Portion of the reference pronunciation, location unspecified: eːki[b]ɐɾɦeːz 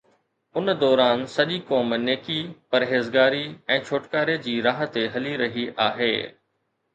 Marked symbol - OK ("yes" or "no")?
no